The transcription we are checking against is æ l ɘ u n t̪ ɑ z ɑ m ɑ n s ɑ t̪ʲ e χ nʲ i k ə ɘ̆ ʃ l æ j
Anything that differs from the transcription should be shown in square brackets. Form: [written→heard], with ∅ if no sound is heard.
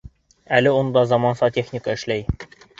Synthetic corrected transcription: æ l ɘ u n [t̪→d̪] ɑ z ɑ m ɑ n s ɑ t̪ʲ e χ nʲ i k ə ɘ̆ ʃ l æ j